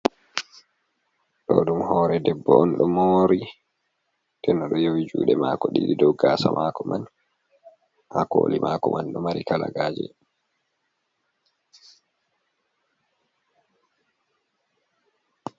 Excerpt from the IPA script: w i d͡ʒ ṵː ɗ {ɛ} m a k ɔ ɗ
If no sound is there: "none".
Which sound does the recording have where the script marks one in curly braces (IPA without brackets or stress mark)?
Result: ɛ